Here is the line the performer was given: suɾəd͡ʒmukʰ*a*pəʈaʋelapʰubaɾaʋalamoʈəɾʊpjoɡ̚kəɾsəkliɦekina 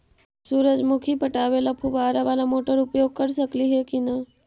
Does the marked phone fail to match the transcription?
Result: yes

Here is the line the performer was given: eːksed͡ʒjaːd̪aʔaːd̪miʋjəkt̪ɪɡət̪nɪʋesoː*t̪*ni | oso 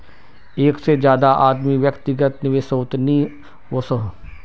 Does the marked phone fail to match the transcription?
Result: no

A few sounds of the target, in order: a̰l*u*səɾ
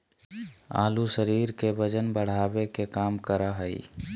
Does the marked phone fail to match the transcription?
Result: no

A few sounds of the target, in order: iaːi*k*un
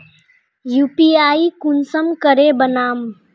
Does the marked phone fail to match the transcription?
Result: no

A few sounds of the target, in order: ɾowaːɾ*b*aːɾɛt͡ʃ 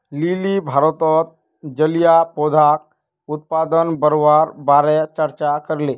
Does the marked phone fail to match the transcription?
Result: no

